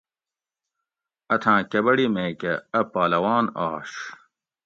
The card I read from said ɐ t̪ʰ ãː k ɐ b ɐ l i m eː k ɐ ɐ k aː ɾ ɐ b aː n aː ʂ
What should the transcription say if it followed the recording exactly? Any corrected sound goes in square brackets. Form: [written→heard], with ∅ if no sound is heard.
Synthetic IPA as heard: ɐ t̪ʰ ãː k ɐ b ɐ [l→ɽ] i m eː k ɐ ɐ [k→p] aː [ɾ→l] ɐ [b→w] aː n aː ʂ

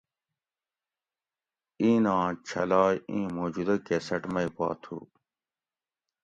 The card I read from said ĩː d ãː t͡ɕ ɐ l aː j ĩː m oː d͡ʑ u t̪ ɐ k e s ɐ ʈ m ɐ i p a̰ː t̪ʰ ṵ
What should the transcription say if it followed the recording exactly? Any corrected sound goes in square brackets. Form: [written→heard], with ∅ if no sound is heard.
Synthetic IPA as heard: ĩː [d→n] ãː [t͡ɕ→t͡ɕʰ] ɐ l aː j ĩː m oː d͡ʑ u [t̪→d̪] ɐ k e s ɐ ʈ m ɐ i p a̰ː t̪ʰ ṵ

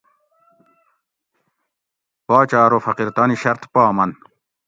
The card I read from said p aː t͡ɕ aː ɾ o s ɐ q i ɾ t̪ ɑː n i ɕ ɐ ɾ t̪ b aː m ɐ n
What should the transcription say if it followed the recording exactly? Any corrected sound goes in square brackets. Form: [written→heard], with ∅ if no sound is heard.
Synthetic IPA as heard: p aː t͡ɕ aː ɾ o [s→f] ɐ q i ɾ t̪ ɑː n i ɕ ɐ ɾ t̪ [b→p] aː m ɐ n

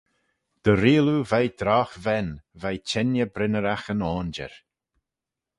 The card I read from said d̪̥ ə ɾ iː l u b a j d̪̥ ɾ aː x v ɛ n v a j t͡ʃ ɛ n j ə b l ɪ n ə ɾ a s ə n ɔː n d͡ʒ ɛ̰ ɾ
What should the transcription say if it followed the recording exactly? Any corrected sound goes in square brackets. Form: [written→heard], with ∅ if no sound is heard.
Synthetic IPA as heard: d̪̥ ə ɾ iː l u [b→v] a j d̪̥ ɾ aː x v ɛ n v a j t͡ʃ ɛ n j ə b [l→ɾ] ɪ n ə ɾ a [s→x] ə n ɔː n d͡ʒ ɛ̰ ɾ

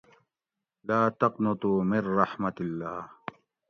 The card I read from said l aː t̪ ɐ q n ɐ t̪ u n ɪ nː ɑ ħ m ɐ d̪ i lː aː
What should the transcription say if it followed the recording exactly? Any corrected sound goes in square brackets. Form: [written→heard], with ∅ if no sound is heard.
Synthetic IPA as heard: l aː t̪ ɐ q n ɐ t̪ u [n→m] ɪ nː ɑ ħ m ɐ [d̪→t̪] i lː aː

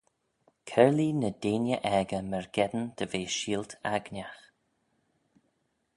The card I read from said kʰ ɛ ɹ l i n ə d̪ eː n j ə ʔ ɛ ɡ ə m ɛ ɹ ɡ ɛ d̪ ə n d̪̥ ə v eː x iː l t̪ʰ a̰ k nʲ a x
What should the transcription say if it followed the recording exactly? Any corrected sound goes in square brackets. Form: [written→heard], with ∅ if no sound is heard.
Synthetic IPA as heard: kʰ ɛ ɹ l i n ə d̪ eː n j ə ʔ ɛ ɡ ə m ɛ ɹ ɡ ɛ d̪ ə n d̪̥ ə v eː [x→ʃ] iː l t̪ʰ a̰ [k→ɡ] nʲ a x

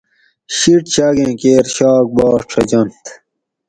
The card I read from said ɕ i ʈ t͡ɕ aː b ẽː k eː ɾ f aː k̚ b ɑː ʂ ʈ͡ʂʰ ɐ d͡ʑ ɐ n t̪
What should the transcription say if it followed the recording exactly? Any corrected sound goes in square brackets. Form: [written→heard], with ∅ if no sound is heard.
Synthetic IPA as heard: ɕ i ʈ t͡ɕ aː [b→ɡ] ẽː k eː ɾ [f→ɕ] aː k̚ b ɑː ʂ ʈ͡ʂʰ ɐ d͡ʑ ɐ n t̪

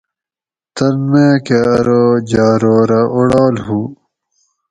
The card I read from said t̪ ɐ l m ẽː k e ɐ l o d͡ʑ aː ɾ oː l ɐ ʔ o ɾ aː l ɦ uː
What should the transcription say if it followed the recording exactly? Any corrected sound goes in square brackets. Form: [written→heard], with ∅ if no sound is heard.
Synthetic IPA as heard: t̪ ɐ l m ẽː k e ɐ [l→ɾ] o d͡ʑ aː ɾ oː [l→ɾ] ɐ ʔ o [ɾ→ɽ] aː l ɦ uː

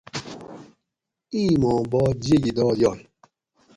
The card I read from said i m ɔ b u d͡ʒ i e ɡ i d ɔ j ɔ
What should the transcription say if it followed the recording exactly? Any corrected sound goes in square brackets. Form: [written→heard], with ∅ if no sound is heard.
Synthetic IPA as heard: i m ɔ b [u→ɔ] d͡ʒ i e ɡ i d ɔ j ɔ

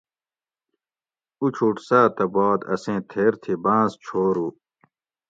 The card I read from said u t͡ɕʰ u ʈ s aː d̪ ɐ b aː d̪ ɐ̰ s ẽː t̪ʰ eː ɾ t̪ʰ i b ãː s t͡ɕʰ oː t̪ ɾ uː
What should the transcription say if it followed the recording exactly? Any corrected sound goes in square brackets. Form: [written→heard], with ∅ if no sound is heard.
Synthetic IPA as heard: u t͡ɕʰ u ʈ s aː [d̪→t̪] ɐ b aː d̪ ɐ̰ s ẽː t̪ʰ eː ɾ t̪ʰ i b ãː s t͡ɕʰ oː [t̪→∅] ɾ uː

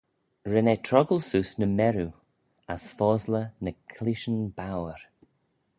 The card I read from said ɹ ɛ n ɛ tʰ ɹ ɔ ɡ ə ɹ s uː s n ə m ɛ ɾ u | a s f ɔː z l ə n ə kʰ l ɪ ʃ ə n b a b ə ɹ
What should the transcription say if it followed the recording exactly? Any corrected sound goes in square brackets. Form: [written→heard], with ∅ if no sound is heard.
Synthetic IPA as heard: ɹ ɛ n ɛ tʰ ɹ ɔ ɡ ə [ɹ→l] s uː s n ə m ɛ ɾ u | a s f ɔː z l ə n ə kʰ l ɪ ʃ ə n b a [b→w] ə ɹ

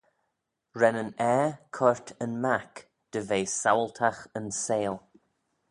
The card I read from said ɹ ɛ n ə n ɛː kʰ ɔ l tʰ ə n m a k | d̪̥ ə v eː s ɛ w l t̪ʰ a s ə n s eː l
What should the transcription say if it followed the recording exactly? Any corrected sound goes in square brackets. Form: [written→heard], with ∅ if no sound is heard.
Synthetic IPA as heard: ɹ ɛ n ə n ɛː kʰ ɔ [l→ɹ] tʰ ə n m a k | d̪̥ ə v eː s [ɛ→a] w l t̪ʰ a [s→x] ə n s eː l

